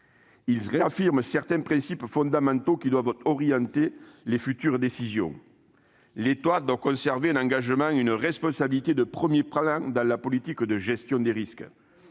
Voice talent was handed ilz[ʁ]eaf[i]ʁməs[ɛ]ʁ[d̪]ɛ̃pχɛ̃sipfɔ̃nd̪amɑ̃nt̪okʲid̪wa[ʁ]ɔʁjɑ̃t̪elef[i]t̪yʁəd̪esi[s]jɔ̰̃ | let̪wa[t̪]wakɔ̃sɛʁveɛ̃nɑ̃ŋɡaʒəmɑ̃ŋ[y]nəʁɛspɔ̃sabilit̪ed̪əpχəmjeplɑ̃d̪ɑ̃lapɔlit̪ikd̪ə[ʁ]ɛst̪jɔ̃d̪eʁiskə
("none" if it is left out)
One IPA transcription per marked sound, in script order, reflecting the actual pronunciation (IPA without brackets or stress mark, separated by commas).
ʁ, i, ɛ, t̪, v, y, z, d̪, y, ʒ